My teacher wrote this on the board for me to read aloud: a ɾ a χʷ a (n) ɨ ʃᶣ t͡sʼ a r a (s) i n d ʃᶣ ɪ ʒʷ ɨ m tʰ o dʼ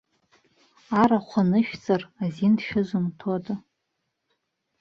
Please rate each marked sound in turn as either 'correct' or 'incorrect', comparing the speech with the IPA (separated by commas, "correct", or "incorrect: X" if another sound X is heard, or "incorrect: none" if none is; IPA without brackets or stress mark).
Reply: correct, incorrect: z